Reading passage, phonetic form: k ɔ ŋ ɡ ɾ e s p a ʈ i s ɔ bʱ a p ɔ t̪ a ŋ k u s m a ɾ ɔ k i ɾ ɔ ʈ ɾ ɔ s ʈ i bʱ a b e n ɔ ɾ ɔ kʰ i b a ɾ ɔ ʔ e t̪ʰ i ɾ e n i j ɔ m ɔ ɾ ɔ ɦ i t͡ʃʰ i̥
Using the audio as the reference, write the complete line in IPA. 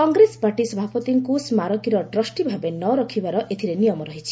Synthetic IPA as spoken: k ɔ ŋ ɡ ɾ e s p a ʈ i s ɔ bʱ a p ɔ t̪ i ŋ k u s m a ɾ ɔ k i ɾ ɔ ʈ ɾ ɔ s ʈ i bʱ a b e n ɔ ɾ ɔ kʰ i b a ɾ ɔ ʔ e t̪ʰ i ɾ e n i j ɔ m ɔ ɾ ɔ ɦ i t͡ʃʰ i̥